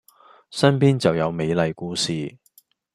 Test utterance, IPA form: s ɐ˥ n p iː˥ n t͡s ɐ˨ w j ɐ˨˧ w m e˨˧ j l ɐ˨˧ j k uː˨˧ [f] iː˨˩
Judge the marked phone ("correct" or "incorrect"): incorrect